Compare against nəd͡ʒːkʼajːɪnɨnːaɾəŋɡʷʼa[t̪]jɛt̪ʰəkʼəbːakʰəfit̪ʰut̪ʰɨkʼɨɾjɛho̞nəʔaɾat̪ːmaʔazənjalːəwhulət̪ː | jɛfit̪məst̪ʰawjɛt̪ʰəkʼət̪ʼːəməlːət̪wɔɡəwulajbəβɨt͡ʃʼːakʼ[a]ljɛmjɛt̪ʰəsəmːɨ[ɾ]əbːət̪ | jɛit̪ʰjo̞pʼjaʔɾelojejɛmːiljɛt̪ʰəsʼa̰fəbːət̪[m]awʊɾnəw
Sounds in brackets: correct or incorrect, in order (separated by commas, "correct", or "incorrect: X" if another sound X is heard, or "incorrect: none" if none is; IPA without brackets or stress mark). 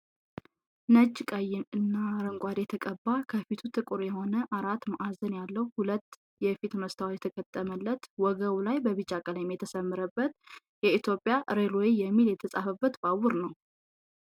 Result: incorrect: d̪, incorrect: ə, correct, incorrect: b